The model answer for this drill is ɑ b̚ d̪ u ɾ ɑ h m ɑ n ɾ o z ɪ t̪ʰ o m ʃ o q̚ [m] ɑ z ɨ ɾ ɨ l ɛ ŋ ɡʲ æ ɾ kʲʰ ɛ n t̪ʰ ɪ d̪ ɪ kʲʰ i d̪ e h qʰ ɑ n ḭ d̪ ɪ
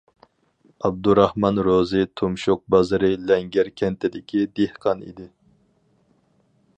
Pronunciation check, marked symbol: incorrect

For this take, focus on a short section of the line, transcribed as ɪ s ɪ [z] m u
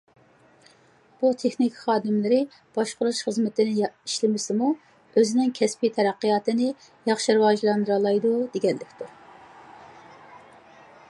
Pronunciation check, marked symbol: incorrect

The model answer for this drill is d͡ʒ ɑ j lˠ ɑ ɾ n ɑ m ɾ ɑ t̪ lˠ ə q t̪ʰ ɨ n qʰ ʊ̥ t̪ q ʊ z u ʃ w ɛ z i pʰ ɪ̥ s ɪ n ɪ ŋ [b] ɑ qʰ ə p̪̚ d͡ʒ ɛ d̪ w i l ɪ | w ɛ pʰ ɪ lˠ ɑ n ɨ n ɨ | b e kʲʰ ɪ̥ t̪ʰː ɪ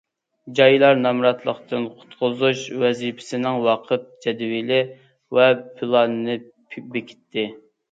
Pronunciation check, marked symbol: incorrect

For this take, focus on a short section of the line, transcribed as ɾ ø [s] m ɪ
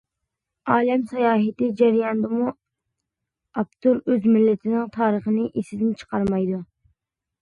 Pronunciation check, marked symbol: incorrect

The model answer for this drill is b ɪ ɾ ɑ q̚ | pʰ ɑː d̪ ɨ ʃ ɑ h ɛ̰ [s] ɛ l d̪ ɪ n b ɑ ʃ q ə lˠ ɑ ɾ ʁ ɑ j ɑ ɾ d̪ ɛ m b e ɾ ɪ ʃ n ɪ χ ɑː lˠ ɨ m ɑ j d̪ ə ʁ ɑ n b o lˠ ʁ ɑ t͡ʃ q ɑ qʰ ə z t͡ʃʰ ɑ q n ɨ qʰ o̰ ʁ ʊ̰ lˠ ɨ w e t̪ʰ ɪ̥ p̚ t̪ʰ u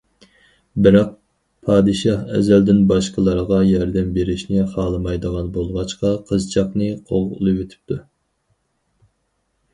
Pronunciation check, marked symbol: incorrect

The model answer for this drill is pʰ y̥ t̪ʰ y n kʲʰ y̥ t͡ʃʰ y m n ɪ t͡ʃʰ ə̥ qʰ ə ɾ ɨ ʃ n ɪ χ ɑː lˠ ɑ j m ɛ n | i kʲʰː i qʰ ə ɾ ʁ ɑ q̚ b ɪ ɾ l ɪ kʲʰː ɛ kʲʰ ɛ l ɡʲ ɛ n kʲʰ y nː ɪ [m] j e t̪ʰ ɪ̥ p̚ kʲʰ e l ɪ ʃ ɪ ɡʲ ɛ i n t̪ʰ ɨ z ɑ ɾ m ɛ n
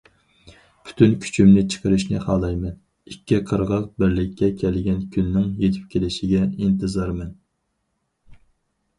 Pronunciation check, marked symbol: incorrect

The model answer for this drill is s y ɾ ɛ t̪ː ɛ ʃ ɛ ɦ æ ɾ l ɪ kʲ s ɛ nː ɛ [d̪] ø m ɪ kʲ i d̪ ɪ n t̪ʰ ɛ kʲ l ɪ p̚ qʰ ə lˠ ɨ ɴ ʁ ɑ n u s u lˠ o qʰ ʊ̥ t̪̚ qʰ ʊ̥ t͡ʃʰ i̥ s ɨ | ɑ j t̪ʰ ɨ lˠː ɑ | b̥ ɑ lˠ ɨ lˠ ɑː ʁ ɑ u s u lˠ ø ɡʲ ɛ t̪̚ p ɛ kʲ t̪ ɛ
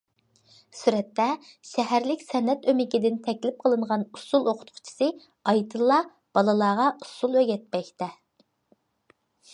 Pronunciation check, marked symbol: incorrect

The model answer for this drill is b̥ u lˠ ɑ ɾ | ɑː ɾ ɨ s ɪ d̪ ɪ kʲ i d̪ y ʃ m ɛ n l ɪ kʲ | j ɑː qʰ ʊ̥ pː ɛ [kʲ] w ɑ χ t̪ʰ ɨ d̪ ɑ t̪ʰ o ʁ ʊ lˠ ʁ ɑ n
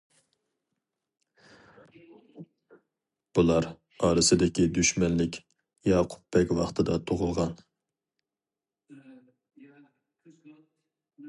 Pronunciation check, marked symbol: correct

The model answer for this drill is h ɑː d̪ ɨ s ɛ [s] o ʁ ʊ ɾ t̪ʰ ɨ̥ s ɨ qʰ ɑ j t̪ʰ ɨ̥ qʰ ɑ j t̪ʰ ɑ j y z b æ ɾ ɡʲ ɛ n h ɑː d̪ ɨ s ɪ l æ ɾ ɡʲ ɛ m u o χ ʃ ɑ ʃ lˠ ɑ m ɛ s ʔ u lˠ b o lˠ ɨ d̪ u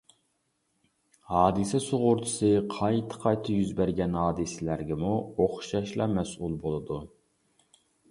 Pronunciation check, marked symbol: correct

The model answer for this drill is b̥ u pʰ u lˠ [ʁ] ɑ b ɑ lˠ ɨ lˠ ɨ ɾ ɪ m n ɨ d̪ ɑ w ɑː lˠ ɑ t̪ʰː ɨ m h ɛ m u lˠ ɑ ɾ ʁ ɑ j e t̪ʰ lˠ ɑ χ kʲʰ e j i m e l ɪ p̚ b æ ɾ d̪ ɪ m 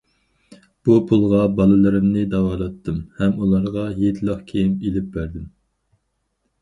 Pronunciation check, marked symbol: correct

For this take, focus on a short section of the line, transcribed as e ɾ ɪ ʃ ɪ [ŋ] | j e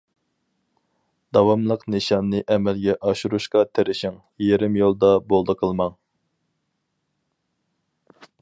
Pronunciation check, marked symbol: correct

